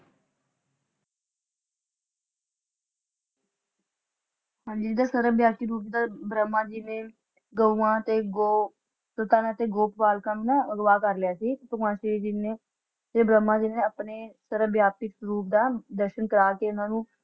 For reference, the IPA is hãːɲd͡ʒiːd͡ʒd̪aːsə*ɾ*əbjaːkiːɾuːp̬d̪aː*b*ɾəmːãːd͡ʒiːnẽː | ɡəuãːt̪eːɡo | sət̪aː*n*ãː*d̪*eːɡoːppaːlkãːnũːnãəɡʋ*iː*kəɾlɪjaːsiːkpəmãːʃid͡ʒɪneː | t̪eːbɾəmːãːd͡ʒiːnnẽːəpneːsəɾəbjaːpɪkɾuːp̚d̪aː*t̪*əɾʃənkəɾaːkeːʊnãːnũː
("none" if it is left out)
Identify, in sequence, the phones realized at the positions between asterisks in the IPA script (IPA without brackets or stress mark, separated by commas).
ɾ, b, n, t̪, aː, d̪